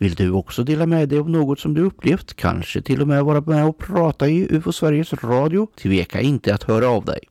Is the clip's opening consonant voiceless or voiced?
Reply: voiced